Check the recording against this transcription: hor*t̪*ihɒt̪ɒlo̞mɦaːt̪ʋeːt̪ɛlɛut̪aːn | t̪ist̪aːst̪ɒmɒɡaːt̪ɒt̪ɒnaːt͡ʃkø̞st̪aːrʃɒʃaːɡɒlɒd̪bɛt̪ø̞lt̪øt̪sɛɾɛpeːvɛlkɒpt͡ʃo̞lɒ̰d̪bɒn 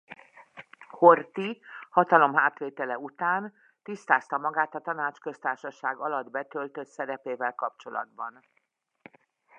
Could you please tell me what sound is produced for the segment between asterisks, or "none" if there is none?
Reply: t̪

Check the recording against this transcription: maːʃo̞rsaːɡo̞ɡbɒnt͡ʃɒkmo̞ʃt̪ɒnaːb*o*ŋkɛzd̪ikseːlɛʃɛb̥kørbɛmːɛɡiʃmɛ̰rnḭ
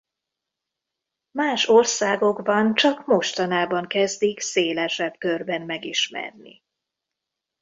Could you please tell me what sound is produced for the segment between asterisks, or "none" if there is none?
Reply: ɒ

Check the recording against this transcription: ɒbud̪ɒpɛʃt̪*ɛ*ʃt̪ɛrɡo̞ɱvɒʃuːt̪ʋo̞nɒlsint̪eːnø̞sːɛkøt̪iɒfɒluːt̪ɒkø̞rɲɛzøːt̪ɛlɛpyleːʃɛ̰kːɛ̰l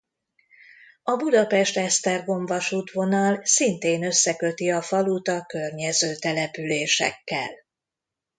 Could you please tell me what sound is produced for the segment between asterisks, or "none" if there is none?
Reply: ɛ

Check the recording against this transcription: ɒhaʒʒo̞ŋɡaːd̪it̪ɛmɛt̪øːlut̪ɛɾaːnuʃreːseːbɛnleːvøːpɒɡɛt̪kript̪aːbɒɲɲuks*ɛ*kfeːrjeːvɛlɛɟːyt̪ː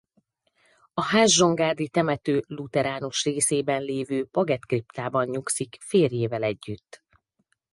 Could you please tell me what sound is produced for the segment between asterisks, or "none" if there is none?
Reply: i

